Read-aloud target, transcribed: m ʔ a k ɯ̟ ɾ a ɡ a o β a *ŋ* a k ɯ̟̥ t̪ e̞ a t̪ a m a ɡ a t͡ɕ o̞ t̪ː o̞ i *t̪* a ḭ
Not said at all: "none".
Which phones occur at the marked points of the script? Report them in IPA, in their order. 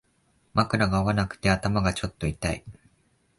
n, t̪

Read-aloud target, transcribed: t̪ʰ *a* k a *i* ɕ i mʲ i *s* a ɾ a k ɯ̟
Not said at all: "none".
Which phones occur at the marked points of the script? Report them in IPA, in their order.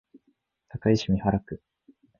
a, i, h

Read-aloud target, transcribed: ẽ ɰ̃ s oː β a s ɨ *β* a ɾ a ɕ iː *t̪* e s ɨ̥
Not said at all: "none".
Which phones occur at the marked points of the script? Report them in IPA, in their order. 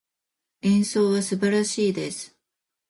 b, d̪

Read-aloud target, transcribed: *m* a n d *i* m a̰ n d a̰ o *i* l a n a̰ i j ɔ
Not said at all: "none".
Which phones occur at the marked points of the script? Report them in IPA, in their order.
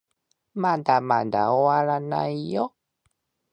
m, a, a

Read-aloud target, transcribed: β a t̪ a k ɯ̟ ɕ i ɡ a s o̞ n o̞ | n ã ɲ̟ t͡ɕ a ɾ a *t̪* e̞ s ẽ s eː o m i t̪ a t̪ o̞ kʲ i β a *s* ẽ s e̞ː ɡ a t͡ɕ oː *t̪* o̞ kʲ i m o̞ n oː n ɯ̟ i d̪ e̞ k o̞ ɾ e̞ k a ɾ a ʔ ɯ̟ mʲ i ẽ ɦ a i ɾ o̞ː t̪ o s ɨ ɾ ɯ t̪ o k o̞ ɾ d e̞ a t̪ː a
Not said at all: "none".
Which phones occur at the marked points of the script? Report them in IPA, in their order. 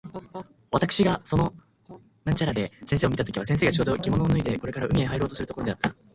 d̪, s, d̪

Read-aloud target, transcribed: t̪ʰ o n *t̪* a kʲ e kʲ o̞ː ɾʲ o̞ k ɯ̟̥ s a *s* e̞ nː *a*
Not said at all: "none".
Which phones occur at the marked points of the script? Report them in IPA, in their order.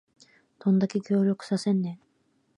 d̪, s, e

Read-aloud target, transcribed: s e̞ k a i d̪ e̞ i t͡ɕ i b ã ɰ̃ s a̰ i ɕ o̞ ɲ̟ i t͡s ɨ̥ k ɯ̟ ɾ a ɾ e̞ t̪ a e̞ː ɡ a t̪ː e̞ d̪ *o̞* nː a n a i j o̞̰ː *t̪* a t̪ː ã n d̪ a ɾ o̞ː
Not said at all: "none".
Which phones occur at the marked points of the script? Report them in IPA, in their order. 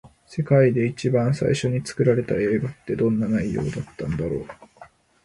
õ̞, d̪

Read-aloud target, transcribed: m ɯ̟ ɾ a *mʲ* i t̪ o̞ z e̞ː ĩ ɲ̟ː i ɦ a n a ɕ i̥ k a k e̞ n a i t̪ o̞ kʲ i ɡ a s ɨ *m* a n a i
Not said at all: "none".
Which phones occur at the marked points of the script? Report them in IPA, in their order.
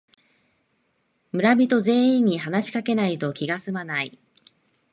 bʲ, m

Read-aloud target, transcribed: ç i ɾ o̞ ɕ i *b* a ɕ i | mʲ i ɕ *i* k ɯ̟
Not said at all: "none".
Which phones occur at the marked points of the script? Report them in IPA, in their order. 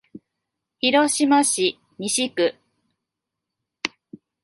m, i

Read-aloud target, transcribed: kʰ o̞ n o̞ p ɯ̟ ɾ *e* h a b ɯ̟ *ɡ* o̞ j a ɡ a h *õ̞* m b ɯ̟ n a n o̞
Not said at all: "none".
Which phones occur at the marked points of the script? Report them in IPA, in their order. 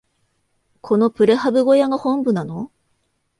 e, ɡ, õ̞

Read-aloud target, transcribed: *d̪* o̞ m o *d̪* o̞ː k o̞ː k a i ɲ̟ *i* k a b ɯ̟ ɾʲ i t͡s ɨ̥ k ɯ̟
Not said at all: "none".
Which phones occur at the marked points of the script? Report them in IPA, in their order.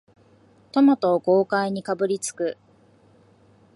t̪, t̪, i

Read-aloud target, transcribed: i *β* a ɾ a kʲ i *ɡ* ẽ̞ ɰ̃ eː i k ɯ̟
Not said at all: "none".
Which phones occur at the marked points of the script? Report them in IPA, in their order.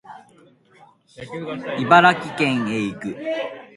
b, k

